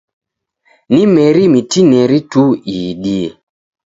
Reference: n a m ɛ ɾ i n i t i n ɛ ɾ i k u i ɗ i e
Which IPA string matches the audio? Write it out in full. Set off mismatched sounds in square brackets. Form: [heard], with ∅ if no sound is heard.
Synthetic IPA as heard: n [i] m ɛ ɾ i [m] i t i n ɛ ɾ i [t] u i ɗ i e